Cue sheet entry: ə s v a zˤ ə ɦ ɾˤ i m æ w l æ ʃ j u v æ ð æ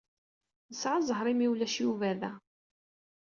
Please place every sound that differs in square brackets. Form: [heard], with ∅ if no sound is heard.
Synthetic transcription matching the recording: ə s [ʕ] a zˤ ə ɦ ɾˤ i m [i] w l æ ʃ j u v æ ð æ